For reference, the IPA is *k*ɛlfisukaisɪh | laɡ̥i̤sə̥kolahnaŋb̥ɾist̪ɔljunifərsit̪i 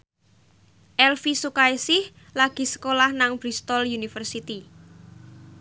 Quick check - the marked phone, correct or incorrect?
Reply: incorrect